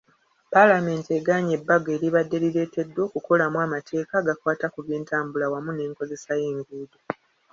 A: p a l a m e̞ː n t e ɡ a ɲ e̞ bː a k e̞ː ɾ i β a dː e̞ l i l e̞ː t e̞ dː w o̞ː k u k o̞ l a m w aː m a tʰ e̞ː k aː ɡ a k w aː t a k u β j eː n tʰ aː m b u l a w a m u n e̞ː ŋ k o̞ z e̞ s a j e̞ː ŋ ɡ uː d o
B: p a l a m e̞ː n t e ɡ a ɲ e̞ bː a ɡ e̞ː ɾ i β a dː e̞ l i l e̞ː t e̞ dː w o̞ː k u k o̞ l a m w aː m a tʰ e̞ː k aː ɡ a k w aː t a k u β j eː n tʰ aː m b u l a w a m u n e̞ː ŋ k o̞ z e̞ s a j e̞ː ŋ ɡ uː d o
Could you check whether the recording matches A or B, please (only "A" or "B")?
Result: B